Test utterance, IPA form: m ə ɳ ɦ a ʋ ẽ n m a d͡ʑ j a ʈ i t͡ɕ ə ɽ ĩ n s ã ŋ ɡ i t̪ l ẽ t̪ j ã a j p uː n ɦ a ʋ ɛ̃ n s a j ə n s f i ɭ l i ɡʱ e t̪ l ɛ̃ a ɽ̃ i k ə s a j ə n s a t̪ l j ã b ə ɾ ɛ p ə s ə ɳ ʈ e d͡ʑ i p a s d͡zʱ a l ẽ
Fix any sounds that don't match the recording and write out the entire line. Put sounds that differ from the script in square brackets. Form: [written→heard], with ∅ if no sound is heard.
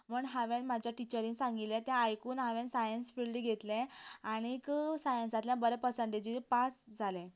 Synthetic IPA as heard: m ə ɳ ɦ a ʋ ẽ n m a d͡ʑ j a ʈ i t͡ɕ ə [ɽ→ɾ] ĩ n s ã ŋ ɡ i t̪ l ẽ t̪ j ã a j [p→k] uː n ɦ a ʋ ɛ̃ n s a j ə n s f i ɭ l i ɡʱ e t̪ l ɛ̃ a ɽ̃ i k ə s a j ə n s a t̪ l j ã b ə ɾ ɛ p ə s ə ɳ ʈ e d͡ʑ i p a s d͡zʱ a l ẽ

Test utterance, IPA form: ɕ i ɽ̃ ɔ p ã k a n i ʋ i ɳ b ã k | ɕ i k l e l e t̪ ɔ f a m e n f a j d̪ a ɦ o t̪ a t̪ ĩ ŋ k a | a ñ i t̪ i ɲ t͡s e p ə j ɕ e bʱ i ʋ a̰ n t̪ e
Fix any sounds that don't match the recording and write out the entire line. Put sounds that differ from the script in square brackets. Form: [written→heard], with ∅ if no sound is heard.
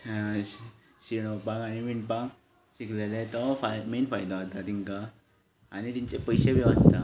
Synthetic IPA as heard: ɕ i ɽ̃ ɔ p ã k a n i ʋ i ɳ [b→p] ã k | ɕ i k l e l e t̪ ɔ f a m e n f a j d̪ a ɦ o t̪ a t̪ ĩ ŋ k a | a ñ i t̪ i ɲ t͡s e p ə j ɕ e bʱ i ʋ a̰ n t̪ [e→a]

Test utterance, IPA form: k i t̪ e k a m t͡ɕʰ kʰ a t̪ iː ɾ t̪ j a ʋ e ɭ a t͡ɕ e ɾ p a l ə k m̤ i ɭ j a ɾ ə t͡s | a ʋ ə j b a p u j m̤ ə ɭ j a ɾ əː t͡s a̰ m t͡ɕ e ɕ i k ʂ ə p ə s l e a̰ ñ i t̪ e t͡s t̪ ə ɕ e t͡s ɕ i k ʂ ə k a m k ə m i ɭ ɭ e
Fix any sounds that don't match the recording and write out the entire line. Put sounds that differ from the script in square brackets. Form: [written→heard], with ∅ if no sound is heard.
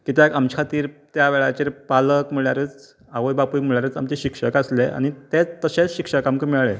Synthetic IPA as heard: k i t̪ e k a m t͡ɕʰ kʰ a t̪ iː ɾ t̪ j a ʋ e ɭ a t͡ɕ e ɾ p a l ə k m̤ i ɭ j a ɾ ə t͡s | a ʋ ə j b a p u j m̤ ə ɭ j a ɾ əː t͡s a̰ m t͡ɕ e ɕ i k ʂ ə [p→k] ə s l e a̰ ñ i t̪ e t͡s t̪ ə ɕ e t͡s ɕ i k ʂ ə k a m k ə m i ɭ ɭ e

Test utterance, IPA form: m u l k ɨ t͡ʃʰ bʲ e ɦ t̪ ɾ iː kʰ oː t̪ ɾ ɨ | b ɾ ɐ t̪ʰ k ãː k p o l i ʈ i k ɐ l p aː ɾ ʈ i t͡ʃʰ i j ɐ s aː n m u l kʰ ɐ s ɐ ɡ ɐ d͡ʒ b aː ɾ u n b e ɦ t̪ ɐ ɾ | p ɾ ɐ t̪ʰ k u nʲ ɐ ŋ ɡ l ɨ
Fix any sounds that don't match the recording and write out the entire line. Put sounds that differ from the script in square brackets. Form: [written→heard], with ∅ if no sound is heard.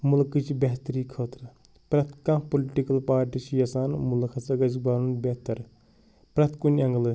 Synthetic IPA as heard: m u l k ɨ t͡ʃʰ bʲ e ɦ t̪ ɾ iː kʰ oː t̪ ɾ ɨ | [b→p] ɾ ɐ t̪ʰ k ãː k p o l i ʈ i k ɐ l p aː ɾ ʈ i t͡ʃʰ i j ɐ s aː n m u l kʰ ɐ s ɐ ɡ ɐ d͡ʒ b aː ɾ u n b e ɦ t̪ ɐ ɾ | p ɾ ɐ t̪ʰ k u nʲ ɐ ŋ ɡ l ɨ

